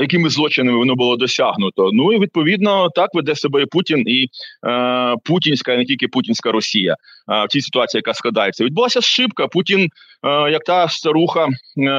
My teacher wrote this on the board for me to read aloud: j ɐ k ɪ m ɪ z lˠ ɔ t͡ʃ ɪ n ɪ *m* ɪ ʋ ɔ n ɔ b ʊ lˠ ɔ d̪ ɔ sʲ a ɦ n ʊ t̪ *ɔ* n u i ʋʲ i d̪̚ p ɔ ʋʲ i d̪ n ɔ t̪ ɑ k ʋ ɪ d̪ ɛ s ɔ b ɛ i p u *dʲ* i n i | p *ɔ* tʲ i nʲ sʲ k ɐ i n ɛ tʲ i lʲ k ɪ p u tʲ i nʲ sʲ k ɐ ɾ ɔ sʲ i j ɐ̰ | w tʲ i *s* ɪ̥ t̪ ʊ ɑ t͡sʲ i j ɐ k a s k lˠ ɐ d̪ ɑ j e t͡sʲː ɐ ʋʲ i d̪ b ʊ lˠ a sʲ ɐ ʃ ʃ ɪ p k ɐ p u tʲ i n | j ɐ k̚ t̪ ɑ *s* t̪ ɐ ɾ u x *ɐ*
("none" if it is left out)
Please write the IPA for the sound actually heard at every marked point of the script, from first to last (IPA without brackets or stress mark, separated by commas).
m, ɔ, tʲ, u, s, s, ɐ